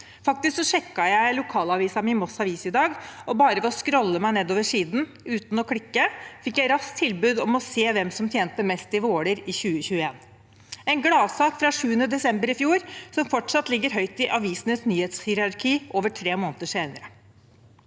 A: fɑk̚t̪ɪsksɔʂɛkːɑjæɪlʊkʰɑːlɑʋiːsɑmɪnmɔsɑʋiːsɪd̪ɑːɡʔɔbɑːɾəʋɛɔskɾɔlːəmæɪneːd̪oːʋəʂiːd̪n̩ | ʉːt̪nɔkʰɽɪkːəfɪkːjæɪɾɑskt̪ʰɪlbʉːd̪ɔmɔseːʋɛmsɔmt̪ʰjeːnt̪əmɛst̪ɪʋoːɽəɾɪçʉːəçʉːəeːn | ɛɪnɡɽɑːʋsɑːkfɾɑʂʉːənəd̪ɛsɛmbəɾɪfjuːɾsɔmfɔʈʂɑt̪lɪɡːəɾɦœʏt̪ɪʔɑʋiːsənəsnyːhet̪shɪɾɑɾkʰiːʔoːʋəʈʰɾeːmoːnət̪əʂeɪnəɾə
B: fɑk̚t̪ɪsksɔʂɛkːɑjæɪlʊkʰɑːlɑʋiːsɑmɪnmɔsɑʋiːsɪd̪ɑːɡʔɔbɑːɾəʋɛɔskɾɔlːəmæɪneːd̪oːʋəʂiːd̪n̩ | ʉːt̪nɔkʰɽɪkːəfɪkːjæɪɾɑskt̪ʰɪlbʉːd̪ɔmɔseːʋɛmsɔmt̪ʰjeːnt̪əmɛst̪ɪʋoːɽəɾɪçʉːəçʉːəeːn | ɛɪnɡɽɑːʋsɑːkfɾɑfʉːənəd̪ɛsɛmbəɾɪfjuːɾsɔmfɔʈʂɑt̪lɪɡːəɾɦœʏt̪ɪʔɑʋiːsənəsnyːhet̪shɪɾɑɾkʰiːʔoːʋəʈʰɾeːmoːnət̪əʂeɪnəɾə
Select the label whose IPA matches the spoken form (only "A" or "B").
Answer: A